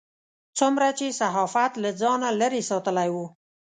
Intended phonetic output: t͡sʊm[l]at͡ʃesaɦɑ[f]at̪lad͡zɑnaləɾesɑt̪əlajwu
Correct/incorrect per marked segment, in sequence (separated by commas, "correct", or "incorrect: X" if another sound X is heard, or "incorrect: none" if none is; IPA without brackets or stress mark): incorrect: ɾ, correct